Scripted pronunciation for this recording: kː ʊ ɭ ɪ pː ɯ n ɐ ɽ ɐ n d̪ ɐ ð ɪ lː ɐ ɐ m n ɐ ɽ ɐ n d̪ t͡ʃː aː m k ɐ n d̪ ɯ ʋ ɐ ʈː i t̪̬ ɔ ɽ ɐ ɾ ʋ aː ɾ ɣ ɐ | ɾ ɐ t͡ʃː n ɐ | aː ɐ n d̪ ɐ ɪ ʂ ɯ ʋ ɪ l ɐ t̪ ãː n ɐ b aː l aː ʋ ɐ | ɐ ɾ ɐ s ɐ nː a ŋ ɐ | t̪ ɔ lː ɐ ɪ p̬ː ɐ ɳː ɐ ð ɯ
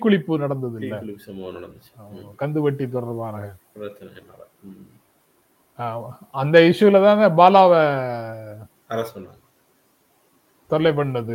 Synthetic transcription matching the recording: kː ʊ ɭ ɪ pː ɯ n ɐ ɽ ɐ n d̪ ɐ ð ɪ lː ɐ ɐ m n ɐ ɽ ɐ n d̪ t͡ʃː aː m k ɐ n d̪ ɯ ʋ ɐ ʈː i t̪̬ ɔ ɽ ɐ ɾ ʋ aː ɾ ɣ ɐ | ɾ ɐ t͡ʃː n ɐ | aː ɐ n d̪ ɐ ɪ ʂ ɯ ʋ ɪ l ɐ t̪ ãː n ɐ b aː l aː ʋ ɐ | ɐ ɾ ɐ s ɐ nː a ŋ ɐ | t̪ ɔ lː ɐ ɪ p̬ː ɐ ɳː ɐ ð ɯ